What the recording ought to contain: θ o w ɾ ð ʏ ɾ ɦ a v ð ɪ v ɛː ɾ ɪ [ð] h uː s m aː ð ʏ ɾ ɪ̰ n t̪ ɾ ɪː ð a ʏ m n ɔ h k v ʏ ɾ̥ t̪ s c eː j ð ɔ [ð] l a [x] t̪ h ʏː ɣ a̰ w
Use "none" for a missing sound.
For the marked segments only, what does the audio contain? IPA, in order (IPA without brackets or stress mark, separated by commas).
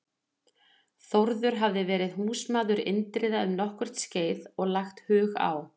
ð, ɣ, x